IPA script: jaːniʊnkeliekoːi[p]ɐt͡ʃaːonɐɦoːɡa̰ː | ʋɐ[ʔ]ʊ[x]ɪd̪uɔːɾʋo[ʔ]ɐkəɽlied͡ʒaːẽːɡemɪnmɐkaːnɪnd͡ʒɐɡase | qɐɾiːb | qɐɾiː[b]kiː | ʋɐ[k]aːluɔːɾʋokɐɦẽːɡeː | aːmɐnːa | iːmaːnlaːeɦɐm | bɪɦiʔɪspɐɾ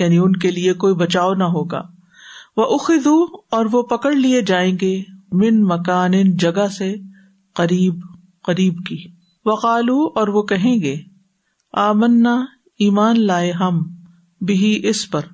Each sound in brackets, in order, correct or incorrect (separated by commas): incorrect, correct, correct, incorrect, correct, incorrect